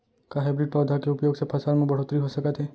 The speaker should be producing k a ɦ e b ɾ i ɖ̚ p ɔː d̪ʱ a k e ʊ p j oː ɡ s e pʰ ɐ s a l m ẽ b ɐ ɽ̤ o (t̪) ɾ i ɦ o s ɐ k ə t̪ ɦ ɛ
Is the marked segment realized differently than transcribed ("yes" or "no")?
no